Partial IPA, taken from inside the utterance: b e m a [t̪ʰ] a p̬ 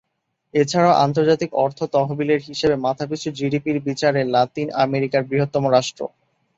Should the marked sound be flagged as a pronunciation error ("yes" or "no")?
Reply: no